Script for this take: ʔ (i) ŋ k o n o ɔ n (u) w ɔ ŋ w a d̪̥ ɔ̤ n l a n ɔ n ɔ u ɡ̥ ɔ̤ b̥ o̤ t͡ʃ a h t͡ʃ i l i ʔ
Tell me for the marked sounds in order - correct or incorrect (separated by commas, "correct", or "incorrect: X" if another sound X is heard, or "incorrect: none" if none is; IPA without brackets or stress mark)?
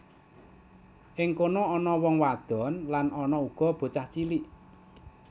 incorrect: ɪ, incorrect: ɔ